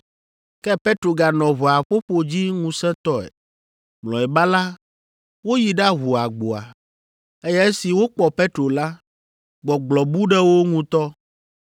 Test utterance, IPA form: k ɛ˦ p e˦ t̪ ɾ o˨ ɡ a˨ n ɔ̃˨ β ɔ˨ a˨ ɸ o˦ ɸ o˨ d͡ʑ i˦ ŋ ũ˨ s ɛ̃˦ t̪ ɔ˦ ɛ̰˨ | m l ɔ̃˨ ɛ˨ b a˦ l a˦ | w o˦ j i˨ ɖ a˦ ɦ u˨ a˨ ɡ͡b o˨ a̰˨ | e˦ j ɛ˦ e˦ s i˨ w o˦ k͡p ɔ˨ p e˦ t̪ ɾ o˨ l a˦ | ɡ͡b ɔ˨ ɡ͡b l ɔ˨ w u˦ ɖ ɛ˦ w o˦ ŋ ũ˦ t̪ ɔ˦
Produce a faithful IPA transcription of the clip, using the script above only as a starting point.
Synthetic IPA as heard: k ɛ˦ p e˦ t̪ ɾ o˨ ɡ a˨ n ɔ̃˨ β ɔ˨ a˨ ɸ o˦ ɸ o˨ d͡ʑ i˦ ŋ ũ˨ s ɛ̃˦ t̪ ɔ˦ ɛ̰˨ | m l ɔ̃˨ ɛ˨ b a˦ l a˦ | w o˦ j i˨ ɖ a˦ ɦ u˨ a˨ ɡ͡b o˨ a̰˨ | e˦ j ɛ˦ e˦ s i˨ w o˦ k͡p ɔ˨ p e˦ t̪ ɾ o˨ l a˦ | ɡ͡b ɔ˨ ɡ͡b l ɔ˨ b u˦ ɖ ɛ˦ w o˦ ŋ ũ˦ t̪ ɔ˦